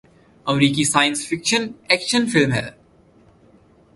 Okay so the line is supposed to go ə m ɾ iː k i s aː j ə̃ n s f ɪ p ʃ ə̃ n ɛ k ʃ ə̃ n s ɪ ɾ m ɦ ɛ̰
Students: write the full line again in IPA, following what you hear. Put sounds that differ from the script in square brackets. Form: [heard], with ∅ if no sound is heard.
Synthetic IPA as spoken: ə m ɾ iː k i s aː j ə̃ n s f ɪ [k] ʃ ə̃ n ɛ k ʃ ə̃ n [f] ɪ [l] m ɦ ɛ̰